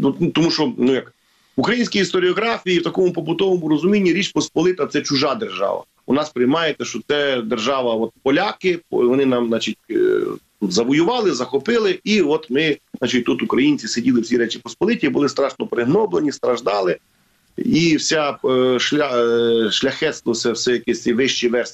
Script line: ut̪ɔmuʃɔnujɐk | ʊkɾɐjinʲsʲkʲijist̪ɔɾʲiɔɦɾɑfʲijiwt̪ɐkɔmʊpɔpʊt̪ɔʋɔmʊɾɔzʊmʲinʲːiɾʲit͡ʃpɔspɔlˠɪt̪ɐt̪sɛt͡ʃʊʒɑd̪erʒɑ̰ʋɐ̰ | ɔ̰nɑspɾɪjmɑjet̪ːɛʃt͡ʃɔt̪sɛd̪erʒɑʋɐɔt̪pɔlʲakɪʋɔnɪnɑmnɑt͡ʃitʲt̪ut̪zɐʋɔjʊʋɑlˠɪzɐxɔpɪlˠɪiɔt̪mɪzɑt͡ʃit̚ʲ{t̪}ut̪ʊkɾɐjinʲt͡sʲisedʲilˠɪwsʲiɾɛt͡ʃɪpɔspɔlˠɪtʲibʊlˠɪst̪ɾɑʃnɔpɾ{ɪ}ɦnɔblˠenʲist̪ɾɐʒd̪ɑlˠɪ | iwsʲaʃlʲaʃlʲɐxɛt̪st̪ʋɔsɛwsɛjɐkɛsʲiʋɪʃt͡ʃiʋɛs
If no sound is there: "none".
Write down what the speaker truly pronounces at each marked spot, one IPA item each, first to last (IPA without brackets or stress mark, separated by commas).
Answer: t̪, ɪ